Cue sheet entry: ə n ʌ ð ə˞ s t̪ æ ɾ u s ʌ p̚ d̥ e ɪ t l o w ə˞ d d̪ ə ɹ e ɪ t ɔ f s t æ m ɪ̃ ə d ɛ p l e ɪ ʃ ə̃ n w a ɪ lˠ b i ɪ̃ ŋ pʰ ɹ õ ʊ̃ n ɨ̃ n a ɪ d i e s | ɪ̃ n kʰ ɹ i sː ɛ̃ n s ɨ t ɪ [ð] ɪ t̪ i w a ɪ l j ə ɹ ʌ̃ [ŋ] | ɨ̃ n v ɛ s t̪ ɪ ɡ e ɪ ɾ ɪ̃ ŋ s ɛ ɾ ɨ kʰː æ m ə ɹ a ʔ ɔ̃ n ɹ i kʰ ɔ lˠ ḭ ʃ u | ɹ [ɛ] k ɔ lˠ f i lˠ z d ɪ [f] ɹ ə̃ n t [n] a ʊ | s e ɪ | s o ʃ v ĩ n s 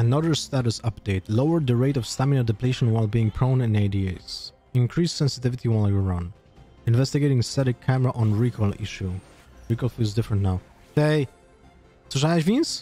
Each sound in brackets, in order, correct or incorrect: incorrect: v, incorrect: n, incorrect: i, correct, correct

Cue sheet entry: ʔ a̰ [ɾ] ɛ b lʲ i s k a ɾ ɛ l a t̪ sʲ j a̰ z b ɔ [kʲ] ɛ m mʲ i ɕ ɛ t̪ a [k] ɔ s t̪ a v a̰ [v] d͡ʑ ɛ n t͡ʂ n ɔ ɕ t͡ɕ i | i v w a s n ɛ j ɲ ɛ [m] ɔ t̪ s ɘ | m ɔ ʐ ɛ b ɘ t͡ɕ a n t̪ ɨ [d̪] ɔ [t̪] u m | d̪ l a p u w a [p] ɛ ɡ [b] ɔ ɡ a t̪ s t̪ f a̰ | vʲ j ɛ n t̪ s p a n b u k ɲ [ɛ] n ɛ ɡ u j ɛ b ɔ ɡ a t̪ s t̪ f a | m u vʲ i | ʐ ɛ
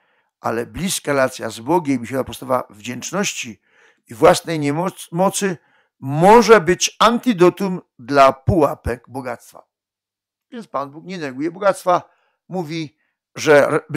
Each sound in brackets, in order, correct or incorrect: incorrect: l, incorrect: ɡʲ, incorrect: p, correct, correct, correct, correct, correct, correct, correct

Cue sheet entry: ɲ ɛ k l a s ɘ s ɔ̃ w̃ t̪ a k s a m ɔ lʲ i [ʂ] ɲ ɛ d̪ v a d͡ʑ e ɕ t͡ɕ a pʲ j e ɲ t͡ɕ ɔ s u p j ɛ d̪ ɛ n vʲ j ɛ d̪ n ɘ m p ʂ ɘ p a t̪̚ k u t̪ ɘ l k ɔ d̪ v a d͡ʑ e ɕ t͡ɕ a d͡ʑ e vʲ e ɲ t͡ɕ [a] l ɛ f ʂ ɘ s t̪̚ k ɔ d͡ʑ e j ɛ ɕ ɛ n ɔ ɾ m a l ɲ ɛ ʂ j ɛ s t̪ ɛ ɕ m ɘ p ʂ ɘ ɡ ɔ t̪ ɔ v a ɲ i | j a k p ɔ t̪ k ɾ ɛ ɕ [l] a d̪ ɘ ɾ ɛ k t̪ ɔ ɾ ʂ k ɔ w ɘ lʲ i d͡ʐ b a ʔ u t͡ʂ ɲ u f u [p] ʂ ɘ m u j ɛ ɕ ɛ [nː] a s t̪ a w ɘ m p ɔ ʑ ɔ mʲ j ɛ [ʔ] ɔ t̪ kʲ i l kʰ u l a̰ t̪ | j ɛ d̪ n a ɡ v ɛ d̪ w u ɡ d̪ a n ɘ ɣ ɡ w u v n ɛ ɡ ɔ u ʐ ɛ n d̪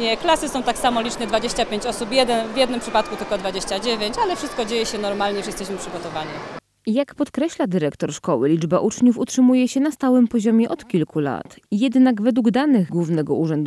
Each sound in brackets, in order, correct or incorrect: incorrect: t͡ʂ, correct, correct, incorrect: t, incorrect: n, correct

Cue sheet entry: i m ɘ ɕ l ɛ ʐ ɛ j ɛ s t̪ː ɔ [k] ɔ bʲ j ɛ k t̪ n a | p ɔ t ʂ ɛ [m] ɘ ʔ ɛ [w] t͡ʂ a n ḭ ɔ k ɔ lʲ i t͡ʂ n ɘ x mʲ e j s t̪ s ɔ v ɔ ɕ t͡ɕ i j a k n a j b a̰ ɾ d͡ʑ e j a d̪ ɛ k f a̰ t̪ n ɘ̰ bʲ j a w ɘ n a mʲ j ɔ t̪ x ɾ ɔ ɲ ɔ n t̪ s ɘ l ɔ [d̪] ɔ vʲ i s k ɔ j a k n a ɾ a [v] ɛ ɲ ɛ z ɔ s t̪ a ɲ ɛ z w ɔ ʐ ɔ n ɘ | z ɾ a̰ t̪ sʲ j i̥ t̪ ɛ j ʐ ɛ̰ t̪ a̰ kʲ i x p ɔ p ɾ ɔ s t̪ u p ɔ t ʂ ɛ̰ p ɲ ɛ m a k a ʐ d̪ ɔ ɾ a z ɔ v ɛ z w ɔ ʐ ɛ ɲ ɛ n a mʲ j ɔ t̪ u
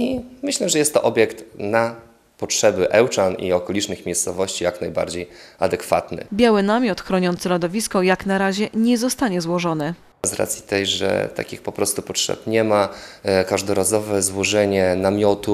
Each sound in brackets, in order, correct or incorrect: incorrect: ʔ, incorrect: b, correct, correct, incorrect: ʑ

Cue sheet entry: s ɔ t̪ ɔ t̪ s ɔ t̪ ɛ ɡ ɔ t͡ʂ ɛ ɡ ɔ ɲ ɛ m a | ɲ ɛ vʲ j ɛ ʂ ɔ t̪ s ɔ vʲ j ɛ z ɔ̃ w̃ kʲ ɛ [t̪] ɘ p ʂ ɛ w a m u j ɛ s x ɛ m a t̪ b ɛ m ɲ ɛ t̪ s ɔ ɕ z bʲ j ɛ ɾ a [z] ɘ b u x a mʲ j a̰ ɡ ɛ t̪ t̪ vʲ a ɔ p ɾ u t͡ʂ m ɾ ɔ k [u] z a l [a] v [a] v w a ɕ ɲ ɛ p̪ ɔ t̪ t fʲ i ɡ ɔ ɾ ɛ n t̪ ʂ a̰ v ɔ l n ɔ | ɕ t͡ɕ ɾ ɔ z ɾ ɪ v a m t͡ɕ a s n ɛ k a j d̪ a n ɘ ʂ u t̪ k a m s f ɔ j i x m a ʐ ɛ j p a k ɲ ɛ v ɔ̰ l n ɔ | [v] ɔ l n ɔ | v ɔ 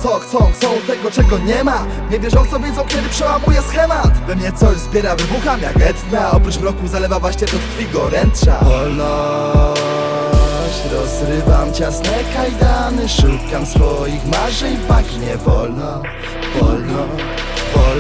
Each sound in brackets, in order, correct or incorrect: incorrect: d̪, incorrect: v, correct, incorrect: ɛ, correct, correct

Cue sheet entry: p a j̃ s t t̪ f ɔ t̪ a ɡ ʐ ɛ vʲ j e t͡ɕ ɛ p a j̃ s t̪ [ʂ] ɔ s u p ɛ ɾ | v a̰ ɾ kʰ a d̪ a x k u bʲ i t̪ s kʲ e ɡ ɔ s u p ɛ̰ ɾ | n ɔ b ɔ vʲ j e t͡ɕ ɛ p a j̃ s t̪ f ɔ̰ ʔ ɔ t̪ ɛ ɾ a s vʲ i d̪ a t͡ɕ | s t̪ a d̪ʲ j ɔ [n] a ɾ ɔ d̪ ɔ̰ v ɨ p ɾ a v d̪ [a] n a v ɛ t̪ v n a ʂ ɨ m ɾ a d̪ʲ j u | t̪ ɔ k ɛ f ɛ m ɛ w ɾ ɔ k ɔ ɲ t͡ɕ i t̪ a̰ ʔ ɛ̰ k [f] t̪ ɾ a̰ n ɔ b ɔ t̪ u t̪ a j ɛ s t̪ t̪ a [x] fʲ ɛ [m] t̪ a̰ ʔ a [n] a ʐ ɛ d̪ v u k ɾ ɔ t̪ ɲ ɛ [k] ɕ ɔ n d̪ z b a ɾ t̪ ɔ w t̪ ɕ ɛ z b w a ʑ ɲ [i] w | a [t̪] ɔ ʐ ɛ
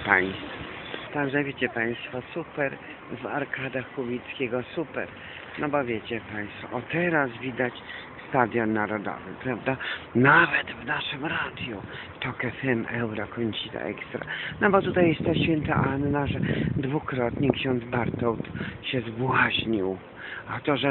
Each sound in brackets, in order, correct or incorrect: incorrect: f, incorrect: nː, correct, incorrect: s, incorrect: ɕ, incorrect: n, incorrect: nː, correct, correct, correct

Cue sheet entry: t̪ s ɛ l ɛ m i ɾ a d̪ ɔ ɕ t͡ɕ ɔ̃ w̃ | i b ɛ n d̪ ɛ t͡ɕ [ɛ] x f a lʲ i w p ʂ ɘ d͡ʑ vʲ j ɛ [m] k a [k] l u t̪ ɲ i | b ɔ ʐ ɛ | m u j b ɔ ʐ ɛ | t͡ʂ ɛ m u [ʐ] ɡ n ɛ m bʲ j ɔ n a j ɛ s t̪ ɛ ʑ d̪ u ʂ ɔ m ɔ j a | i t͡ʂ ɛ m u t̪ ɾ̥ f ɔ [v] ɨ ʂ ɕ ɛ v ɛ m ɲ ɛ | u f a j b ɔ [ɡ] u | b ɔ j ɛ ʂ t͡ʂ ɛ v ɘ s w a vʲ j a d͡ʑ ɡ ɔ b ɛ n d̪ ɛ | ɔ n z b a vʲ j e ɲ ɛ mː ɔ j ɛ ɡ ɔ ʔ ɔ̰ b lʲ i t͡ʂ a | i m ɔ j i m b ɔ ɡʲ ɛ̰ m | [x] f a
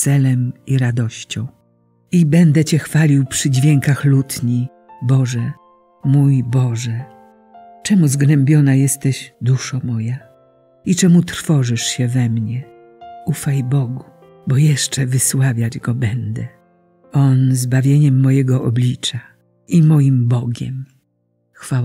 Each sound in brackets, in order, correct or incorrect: correct, incorrect: ŋ, incorrect: x, incorrect: z, incorrect: ʐ, correct, correct

